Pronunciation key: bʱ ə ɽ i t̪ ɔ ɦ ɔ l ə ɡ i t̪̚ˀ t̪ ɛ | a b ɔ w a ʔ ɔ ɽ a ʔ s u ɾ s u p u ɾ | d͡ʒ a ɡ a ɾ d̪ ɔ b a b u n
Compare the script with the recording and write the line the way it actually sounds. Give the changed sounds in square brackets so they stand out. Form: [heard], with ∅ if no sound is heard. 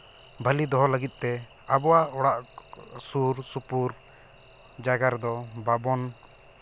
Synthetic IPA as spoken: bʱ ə [l] i [d̪] ɔ ɦ ɔ l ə ɡ i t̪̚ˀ t̪ ɛ | a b ɔ w a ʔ ɔ ɽ a ʔ s u ɾ s u p u ɾ | d͡ʒ a ɡ a ɾ d̪ ɔ b a b [ɔ] n